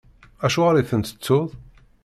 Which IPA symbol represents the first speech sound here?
æ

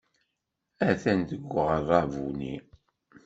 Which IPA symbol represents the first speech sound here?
æ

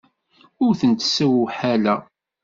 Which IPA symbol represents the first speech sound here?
ʊ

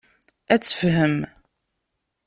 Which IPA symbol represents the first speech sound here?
æ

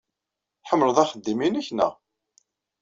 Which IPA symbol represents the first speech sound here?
ħ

